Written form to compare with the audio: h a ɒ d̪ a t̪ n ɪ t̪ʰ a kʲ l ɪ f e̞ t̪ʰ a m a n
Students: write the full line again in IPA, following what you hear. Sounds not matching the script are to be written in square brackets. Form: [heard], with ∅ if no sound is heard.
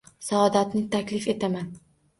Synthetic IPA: [s] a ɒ d̪ a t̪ n ɪ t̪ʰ a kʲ l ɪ f e̞ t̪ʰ a m a n